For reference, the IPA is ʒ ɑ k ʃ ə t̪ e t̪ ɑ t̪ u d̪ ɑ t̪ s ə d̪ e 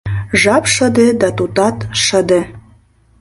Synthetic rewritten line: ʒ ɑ p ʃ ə d̪ e d̪ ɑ t̪ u t̪ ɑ t̪ ʃ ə d̪ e